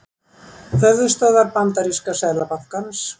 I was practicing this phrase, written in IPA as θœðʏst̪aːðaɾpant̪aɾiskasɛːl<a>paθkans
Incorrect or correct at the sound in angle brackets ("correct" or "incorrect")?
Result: correct